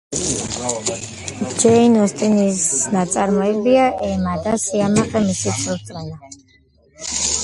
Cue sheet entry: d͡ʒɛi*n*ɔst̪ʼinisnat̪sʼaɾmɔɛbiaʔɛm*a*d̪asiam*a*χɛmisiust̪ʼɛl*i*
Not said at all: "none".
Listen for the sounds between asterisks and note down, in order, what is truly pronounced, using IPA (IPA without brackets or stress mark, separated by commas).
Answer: n, a, a, a